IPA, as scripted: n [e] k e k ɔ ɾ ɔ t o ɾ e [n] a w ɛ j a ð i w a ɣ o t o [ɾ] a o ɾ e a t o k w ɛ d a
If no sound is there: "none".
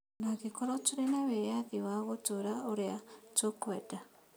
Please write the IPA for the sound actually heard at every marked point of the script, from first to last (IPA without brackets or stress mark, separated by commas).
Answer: a, n, ɾ